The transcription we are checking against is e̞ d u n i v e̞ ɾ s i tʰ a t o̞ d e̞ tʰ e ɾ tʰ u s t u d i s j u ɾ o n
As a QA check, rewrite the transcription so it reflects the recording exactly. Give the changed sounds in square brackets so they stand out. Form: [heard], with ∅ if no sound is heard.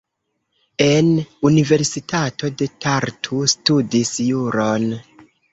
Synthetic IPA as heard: e̞ [n] u n i v e̞ ɾ s i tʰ a t o̞ d e̞ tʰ [a] ɾ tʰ u s t u d i s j u ɾ o n